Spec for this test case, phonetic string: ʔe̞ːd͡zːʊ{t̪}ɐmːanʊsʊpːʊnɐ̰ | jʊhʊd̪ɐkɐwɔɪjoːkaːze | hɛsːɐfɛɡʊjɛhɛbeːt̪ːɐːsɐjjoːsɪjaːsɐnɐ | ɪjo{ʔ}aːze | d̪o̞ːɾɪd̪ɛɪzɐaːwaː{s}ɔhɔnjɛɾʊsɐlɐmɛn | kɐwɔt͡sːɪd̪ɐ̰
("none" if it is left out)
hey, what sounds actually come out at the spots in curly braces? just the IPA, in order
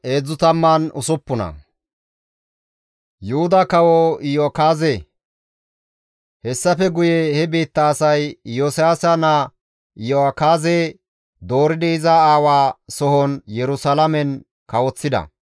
t̪, k, s

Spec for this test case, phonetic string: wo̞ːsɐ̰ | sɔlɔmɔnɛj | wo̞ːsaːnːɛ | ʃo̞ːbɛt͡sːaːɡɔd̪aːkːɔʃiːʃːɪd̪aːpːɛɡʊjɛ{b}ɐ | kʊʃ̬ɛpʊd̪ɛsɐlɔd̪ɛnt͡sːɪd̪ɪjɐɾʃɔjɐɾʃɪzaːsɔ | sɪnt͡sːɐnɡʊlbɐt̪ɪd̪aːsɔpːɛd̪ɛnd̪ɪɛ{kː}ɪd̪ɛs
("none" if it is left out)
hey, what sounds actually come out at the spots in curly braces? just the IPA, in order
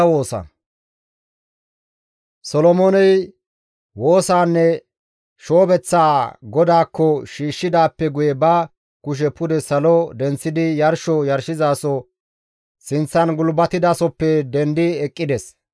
b, kʼː

